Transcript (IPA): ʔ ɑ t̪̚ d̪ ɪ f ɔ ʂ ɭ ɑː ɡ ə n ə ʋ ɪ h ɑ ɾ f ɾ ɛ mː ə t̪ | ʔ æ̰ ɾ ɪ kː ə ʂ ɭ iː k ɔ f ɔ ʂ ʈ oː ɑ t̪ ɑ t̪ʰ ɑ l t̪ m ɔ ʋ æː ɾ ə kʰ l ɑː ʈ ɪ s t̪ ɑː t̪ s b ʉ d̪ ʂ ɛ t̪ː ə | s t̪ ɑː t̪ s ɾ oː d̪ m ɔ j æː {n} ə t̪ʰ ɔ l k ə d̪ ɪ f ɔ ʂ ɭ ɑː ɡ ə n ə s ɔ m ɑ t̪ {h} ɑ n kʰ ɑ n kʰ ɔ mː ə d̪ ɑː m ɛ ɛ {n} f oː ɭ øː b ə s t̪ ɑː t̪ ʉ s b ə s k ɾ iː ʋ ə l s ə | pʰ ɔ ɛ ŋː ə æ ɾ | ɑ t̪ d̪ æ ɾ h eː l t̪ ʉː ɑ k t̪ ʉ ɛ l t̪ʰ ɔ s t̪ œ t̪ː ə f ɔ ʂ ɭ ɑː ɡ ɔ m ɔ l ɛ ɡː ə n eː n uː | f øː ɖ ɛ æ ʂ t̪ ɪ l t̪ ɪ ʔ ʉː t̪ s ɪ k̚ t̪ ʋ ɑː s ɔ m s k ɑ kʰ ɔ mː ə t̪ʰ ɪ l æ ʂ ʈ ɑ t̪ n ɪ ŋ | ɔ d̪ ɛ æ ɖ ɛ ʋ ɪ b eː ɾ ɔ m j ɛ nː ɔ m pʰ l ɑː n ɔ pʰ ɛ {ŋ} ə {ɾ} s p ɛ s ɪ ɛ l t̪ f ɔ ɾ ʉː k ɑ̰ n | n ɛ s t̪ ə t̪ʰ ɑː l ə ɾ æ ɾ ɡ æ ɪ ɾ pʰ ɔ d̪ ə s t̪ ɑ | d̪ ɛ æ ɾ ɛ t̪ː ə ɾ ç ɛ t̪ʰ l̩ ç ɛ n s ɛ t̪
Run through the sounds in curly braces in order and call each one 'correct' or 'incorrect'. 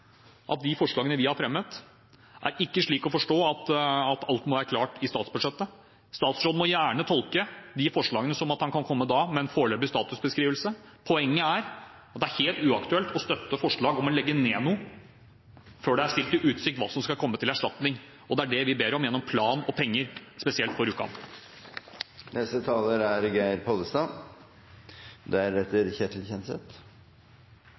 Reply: incorrect: ɳ, correct, correct, incorrect: ŋː, correct

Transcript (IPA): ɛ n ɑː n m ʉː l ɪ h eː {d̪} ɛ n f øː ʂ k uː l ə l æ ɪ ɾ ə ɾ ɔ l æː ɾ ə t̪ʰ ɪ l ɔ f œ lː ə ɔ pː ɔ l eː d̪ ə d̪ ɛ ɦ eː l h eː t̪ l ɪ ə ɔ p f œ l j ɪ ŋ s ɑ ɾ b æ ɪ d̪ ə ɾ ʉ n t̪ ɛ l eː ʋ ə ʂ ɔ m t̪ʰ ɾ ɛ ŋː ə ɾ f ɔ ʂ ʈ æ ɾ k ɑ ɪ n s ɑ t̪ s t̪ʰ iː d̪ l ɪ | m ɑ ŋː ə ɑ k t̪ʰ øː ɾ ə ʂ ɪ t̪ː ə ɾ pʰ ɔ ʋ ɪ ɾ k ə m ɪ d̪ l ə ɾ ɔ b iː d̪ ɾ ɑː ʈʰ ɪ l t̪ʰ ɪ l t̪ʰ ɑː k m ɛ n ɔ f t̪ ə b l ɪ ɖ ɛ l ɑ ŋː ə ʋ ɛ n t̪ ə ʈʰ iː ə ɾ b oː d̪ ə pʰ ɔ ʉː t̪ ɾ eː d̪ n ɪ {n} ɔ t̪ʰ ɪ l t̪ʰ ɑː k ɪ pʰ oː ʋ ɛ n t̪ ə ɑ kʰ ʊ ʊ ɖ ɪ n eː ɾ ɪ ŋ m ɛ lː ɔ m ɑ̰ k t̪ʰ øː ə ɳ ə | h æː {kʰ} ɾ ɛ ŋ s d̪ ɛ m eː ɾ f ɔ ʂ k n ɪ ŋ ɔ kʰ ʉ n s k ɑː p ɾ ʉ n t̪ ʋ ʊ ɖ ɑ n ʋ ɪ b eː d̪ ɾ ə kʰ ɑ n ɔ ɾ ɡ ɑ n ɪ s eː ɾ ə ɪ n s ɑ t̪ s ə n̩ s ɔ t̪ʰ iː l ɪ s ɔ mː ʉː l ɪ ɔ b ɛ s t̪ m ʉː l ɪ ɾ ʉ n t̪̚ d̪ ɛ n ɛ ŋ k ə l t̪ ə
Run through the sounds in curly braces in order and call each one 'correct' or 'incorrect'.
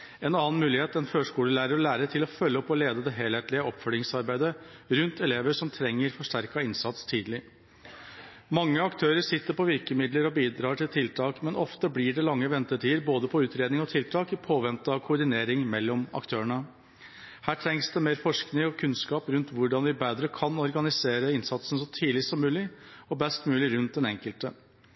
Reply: incorrect: t̪, incorrect: ŋ, incorrect: ʈʰ

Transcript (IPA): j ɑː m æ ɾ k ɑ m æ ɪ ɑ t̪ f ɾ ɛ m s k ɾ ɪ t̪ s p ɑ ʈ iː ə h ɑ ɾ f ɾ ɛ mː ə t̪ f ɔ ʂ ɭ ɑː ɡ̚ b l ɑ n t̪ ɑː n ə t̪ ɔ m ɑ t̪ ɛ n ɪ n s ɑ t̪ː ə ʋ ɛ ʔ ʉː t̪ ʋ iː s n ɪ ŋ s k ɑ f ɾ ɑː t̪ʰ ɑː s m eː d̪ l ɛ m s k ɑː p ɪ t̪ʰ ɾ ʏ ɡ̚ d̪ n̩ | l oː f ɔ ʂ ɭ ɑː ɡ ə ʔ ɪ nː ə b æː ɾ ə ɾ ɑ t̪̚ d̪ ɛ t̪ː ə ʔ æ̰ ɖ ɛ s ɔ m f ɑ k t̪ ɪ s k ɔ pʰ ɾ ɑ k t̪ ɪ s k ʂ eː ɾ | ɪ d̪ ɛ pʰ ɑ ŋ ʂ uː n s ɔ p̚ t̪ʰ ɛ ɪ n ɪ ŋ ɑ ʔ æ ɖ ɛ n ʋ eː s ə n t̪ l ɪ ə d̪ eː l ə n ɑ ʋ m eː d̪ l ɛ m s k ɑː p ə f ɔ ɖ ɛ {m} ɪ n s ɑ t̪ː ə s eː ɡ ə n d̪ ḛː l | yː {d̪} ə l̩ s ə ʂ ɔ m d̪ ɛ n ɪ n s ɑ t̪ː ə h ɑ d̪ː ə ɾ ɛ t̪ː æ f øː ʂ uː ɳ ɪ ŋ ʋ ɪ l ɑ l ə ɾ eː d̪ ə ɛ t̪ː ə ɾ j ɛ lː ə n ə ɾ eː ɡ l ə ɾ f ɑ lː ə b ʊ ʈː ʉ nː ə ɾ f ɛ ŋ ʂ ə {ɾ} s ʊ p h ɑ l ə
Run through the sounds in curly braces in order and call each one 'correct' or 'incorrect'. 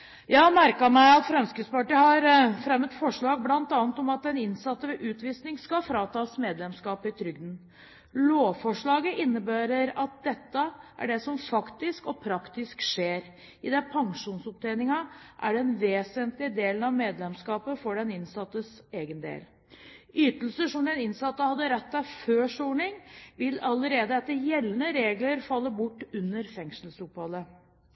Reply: incorrect: n, incorrect: t̪, incorrect: l

